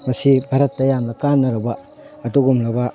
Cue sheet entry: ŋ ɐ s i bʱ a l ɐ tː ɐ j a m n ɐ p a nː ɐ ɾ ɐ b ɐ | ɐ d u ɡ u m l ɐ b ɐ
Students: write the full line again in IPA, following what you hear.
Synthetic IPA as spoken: m ɐ s i bʱ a ɾ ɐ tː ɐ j a m n ɐ k a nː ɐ ɾ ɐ b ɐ | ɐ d u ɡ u m l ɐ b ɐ